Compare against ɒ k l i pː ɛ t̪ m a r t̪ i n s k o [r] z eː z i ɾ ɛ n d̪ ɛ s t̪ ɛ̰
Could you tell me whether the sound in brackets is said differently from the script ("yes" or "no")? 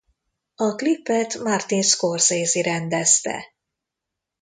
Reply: no